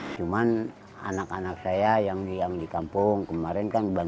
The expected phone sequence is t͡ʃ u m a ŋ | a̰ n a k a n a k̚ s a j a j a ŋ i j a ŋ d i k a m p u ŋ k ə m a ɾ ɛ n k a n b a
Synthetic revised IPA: t͡ʃ u m a n | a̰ n a k a n a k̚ s a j a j a ŋ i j a ŋ d i k a m p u ŋ k ə m a ɾ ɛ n k a n b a